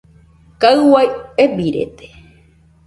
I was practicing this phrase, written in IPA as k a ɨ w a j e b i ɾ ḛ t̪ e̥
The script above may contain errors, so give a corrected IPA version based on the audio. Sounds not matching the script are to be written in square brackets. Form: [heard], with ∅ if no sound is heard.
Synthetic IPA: k a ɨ w a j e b i ɾ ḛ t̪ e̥